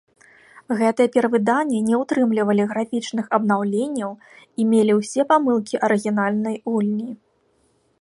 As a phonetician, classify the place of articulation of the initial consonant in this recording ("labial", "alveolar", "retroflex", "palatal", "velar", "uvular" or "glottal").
velar